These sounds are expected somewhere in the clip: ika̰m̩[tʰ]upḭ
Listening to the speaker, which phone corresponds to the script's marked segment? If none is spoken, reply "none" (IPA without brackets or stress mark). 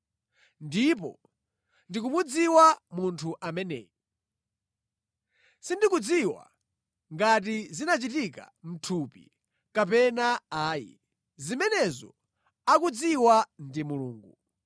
tʰ